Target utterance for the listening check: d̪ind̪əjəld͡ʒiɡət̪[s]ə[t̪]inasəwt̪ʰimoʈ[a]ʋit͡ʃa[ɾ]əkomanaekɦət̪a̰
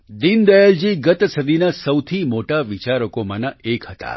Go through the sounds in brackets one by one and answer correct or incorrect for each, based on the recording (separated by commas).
correct, incorrect, correct, correct